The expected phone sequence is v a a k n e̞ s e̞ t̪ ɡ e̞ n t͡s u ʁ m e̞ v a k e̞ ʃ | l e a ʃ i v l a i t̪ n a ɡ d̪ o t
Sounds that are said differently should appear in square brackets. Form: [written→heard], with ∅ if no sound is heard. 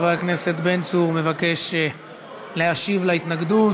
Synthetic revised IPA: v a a k n e̞ s e̞ t̪ [ɡ→b] e̞ n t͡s u ʁ m e̞ v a k e̞ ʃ | l e a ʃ i v l a i t̪ n a ɡ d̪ [o→u] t

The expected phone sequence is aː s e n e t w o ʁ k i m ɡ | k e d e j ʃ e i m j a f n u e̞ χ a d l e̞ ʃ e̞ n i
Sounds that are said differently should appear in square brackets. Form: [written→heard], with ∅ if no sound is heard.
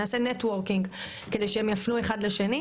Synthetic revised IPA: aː s e n e t w o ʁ k i [m→ŋ] ɡ | k e d e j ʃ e [i→e] m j a f n u e̞ χ a d l e̞ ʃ e̞ n i

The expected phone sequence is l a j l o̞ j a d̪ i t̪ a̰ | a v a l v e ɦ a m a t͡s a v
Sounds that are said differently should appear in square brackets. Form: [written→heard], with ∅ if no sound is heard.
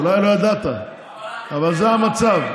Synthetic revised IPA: l a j l o̞ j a d̪ [i→a] t̪ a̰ | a v a l [v→z] e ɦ a m a t͡s a v

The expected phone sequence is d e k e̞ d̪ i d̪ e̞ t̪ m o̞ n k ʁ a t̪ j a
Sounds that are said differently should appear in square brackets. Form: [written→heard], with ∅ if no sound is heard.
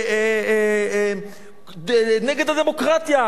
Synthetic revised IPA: [d→n] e [k→ɡ] e̞ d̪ [i→a] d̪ e̞ [t̪→∅] m o̞ [n→∅] k ʁ a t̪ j a

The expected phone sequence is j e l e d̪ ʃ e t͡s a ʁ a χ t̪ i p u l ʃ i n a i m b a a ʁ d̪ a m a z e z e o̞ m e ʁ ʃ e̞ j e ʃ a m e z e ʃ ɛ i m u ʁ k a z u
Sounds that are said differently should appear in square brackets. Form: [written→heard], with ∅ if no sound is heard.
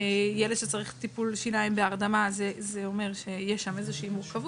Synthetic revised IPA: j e l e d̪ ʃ e t͡s a ʁ [a→i] χ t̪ i p u l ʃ i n a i m b [a→e] a ʁ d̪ a m a z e z e o̞ m e ʁ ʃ e̞ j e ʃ a m e z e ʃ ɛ i m u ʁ k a [z→v] u

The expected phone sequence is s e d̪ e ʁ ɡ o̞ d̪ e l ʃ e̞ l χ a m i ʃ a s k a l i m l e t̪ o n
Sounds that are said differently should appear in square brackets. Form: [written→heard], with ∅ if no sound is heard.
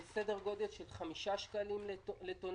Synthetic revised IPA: s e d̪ e ʁ ɡ o̞ d̪ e l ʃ e̞ l χ a m i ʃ a [s→ʃ] k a l i m l e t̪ o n

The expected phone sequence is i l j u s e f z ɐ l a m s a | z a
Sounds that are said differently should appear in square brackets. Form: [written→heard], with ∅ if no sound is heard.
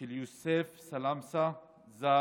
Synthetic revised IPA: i l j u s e f [z→s] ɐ l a m s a | z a

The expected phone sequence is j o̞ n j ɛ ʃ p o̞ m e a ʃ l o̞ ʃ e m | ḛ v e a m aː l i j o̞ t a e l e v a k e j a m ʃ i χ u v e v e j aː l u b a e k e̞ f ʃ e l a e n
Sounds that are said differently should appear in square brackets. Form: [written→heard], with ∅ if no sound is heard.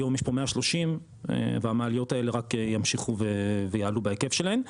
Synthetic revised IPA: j o̞ [n→m] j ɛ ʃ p o̞ m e a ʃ l o̞ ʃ [e→i] m | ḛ v e a m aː l i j o̞ t a e l e [v→ʁ] a k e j a m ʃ i χ u v e v e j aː l u b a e k e̞ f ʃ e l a e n

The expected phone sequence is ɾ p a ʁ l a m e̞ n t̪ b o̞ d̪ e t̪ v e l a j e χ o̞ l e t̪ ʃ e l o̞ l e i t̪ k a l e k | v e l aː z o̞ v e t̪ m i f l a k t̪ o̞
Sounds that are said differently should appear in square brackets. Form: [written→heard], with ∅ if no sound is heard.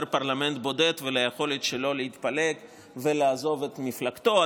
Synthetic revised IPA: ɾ p a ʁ l a m e̞ n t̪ b o̞ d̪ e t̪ v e l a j e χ o̞ l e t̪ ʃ e l o̞ l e i t̪ [k→p] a l e k | v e l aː z o̞ v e t̪ m i f l a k t̪ o̞

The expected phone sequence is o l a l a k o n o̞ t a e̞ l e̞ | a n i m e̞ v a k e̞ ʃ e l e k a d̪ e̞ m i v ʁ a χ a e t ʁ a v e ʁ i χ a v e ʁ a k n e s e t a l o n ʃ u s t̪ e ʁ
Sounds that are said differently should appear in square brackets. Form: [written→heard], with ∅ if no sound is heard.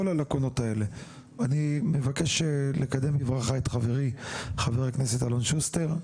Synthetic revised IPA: o l a l a k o n o̞ t a e̞ l e̞ | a n i m e̞ v a k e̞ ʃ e l e k a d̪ e̞ m i v ʁ a χ a e t [ʁ→χ] a v e ʁ i χ a v e ʁ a k n e s e t a l o n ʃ u s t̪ e ʁ

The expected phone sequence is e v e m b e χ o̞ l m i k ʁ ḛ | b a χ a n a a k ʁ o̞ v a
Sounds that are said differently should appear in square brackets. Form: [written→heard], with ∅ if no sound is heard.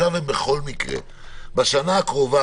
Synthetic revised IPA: [e→a] v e m b e χ o̞ l m i k ʁ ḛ | b a [χ→ʃ] a n a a k ʁ o̞ v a

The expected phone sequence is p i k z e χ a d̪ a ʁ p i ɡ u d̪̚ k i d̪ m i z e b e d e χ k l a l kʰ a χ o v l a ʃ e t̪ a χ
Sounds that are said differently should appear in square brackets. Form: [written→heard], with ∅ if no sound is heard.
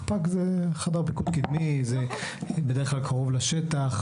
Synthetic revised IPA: p [i→a] k z e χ a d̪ a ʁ p i [ɡ→k] u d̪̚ k i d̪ m i z e b e d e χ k l a l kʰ a [χ→ʁ] o v l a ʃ e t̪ a χ

